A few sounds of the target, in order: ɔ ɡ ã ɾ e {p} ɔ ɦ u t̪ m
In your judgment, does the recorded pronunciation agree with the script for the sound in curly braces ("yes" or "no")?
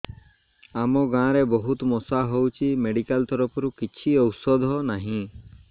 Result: no